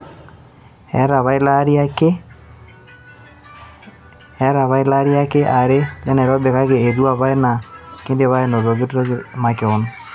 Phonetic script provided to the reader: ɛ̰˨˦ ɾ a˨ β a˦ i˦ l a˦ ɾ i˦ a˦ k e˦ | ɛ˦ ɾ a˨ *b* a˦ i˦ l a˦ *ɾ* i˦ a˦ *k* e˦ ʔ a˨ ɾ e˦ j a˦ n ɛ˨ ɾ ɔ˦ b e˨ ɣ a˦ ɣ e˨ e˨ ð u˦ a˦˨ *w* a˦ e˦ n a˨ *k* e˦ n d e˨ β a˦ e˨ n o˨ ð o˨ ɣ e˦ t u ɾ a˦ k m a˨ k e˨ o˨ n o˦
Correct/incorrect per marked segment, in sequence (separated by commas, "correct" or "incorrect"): incorrect, correct, correct, incorrect, correct